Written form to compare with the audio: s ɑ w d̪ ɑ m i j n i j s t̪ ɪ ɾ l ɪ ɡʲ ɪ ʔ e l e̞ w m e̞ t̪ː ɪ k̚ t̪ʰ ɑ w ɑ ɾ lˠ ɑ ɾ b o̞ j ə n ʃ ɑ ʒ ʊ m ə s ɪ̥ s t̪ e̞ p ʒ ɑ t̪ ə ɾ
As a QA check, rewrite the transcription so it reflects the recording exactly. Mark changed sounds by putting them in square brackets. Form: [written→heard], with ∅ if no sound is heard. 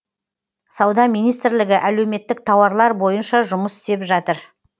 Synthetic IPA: s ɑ w d̪ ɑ m i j n i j s t̪ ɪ ɾ l ɪ ɡʲ ɪ ʔ [e→æ] l e̞ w m e̞ t̪ː ɪ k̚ t̪ʰ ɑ w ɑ ɾ lˠ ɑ ɾ b o̞ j ə n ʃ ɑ ʒ ʊ m ə s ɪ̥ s t̪ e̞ p ʒ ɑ t̪ ə ɾ